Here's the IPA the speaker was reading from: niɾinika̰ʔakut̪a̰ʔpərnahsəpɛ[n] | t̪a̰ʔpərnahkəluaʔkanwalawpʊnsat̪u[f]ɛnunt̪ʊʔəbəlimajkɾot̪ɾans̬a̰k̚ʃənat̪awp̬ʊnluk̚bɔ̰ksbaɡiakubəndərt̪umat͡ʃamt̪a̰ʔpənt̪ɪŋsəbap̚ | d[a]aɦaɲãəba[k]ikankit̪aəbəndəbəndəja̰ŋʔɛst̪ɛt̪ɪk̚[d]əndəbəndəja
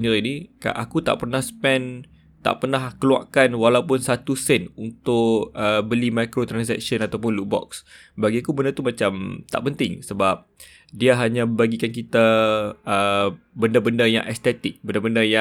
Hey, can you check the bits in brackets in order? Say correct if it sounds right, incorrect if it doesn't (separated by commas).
correct, incorrect, incorrect, incorrect, incorrect